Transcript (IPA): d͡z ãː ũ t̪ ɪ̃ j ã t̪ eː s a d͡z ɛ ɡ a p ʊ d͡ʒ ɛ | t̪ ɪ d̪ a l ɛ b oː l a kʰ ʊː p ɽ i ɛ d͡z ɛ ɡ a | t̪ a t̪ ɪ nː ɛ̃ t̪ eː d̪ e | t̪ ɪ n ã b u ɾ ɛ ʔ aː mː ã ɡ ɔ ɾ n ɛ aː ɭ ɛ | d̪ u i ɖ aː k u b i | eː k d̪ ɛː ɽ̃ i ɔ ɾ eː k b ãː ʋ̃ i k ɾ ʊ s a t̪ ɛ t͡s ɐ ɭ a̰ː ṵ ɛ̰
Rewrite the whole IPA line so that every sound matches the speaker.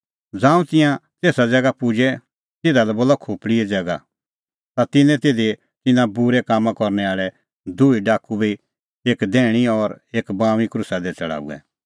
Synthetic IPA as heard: d͡z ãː ũ t̪ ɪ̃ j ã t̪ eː s a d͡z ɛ ɡ a p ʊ d͡ʒ ɛ | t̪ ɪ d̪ a l ɛ b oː l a kʰ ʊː p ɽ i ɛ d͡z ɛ ɡ a | t̪ a t̪ ɪ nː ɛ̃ t̪ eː d̪ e | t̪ ɪ n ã b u ɾ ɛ k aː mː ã k ɔ ɾ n ɛ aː ɭ ɛ | d̪ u i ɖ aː k u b i | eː k d̪ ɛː ɽ̃ i ɔ ɾ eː k b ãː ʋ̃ i k ɾ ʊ s a d̪ ɛ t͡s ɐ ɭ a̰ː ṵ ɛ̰